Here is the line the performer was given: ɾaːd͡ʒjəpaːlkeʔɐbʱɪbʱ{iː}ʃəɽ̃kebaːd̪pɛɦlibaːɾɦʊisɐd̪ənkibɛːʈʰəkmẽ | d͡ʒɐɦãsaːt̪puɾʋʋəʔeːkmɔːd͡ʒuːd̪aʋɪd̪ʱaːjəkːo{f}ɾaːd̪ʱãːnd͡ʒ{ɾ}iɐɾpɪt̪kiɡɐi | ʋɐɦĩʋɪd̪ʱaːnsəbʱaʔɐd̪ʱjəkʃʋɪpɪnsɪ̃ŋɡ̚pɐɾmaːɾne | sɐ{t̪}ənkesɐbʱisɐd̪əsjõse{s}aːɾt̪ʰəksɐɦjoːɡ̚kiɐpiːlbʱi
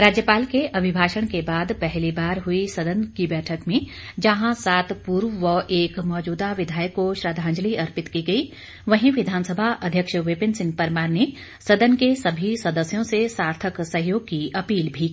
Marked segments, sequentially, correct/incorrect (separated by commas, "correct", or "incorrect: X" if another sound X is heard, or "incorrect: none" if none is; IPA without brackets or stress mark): incorrect: aː, incorrect: ʃ, incorrect: l, incorrect: d̪, correct